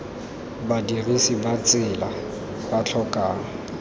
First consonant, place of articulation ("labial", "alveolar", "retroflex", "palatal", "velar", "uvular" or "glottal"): labial